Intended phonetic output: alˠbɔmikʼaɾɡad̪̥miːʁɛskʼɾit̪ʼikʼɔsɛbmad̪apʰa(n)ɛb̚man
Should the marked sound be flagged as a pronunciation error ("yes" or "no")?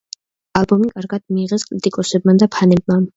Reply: no